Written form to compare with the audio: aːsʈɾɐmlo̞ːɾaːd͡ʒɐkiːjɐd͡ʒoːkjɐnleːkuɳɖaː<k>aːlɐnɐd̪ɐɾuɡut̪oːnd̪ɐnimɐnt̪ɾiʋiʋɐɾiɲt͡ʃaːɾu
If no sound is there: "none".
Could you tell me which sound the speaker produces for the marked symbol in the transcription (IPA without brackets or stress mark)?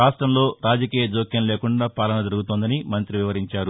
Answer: p